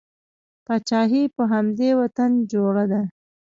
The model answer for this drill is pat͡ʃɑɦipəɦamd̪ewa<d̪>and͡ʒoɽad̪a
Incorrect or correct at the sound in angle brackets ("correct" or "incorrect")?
incorrect